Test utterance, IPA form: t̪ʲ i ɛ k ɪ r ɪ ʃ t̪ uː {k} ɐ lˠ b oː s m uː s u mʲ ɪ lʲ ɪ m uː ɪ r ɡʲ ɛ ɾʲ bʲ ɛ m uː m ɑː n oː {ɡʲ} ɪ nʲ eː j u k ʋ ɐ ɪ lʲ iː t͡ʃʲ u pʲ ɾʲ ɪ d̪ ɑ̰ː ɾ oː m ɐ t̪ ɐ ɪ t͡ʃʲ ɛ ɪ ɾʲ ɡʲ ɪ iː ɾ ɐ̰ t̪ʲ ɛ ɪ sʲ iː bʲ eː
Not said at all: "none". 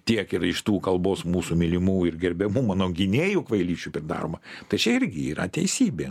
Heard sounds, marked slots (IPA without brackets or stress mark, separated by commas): k, ɡʲ